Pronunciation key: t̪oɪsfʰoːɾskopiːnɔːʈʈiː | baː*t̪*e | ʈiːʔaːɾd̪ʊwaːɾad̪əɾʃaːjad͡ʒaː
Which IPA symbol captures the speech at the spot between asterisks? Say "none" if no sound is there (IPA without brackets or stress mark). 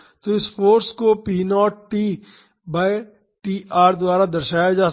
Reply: none